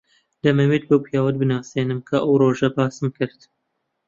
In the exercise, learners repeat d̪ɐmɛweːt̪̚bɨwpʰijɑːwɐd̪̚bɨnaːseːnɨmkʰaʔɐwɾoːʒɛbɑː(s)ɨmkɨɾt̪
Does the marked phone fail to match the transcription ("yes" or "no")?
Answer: no